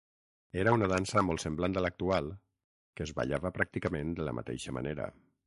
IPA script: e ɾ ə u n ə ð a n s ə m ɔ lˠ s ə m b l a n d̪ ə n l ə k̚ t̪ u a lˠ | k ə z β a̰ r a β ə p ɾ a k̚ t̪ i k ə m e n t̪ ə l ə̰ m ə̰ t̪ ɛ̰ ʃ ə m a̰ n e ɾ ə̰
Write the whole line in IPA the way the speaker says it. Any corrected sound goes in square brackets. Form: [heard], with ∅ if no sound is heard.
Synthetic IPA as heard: e ɾ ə u n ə ð a n s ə m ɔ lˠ s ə m b l a n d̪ ə [∅] l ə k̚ t̪ u a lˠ | k ə z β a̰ [ʎ] a β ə p ɾ a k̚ t̪ i k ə m e n [d̪] ə l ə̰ m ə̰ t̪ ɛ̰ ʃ ə m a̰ n e ɾ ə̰